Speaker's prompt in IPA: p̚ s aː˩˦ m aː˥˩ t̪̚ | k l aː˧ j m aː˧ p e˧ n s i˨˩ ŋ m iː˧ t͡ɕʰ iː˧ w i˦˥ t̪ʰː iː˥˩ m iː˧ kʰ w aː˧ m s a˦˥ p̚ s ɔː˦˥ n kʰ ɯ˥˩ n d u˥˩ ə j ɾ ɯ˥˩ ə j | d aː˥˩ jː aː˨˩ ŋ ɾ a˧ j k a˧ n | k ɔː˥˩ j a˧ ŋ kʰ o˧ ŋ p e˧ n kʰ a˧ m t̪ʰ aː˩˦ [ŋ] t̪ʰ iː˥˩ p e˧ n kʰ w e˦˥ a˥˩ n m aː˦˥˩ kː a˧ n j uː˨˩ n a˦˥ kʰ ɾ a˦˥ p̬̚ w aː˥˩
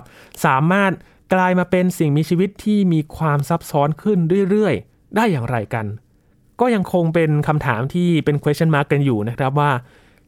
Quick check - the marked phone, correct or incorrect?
incorrect